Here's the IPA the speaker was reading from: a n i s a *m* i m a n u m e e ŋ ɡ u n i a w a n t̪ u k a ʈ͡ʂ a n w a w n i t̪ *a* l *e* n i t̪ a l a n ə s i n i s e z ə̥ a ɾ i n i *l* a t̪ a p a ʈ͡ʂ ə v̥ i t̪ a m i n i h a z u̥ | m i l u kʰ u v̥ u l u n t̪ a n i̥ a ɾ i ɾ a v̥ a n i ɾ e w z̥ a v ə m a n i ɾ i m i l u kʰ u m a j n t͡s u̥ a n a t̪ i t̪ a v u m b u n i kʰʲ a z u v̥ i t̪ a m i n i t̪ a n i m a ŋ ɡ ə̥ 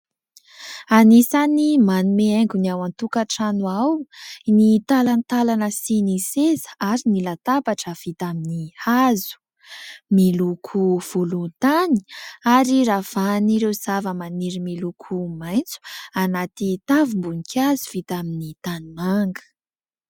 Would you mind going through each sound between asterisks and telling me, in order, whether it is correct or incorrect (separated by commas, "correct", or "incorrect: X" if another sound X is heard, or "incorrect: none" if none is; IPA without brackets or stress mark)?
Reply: incorrect: n, correct, incorrect: a, correct